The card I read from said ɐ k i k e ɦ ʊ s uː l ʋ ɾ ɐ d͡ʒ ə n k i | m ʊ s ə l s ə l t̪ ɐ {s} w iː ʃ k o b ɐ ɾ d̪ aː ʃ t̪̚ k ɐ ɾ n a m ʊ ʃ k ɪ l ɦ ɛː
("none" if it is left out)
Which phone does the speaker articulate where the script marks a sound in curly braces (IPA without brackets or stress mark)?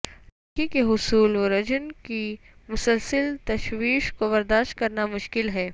ʃ